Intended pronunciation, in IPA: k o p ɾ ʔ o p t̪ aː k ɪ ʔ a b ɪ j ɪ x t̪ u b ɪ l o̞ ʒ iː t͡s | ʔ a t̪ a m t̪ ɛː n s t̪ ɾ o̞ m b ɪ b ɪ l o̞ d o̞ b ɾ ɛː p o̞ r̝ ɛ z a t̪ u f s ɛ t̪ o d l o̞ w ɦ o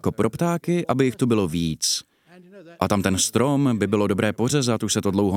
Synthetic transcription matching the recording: k o p ɾ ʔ o p t̪ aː k ɪ ʔ a b ɪ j ɪ x t̪ u b ɪ l o̞ v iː t͡s | ʔ a t̪ a m t̪ ɛ n s t̪ ɾ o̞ m b ɪ b ɪ l o̞ d o̞ b ɾ ɛː p o̞ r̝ ɛ z a t̪ u ʃ s ɛ t̪ o d l o̞ w ɦ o